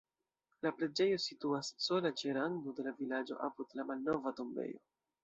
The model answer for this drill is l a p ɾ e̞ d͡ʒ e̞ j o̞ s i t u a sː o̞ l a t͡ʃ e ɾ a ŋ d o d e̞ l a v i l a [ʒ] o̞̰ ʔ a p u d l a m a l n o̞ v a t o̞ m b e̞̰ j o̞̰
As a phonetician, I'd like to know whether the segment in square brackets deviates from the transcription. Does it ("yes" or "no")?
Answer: yes